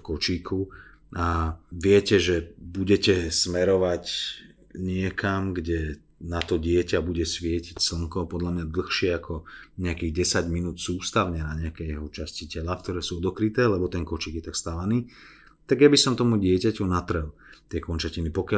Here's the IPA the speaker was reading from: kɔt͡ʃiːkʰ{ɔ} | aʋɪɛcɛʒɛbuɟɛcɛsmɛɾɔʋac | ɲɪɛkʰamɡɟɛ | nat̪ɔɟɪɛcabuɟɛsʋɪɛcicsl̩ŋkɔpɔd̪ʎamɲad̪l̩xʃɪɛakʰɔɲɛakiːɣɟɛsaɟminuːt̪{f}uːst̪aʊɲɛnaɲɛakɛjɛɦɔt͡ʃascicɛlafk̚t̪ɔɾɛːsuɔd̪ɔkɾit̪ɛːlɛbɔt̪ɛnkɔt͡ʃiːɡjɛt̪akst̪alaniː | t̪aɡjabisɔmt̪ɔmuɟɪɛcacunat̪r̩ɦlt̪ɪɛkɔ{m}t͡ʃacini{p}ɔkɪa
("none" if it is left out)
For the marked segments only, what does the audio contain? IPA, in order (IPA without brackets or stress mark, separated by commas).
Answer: u, s, n, p